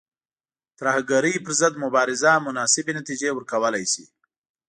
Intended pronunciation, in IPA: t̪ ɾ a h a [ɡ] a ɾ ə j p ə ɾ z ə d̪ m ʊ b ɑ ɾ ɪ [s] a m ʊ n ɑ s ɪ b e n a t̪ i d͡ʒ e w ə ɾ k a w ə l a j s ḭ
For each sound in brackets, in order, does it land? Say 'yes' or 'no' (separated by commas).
yes, no